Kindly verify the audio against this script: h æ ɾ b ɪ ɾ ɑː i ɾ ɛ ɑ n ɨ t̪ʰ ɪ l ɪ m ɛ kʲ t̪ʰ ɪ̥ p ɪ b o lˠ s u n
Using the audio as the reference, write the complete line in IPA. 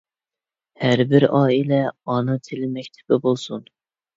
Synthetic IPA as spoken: h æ ɾ b ɪ ɾ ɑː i l ɛ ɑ n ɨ t̪ʰ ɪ l ɪ m ɛ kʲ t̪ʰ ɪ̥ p ɪ b o lˠ s u n